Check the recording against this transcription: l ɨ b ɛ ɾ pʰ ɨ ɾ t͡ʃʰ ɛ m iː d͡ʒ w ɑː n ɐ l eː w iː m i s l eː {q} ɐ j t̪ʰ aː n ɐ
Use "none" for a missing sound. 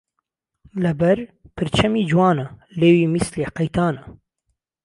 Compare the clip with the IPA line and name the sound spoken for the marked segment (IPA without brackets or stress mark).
q